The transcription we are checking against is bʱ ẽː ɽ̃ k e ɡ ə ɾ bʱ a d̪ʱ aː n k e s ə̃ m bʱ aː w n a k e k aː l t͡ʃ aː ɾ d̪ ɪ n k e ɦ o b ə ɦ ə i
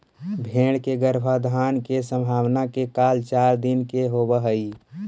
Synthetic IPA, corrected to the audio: bʱ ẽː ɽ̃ k e ɡ ə ɾ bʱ a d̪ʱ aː n k e s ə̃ m bʱ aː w n a k e k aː l t͡ʃ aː ɾ d̪ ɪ n k e ɦ o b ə ɦ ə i